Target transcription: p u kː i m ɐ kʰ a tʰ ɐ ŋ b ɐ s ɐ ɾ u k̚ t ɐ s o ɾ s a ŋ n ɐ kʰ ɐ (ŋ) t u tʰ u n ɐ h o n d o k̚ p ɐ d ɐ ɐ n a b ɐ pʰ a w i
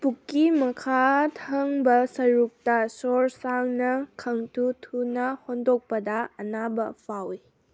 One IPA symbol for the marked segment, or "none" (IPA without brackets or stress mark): ŋ